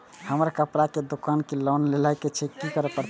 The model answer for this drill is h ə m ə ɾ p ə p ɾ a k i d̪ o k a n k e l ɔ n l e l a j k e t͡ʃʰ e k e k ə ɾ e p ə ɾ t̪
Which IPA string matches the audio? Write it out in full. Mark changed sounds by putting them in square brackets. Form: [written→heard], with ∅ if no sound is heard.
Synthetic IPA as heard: h ə m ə ɾ [p→k] ə p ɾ a k [i→e] d̪ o k a n k e l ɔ n l e l a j k e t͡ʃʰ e k [e→i] k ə ɾ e p ə ɾ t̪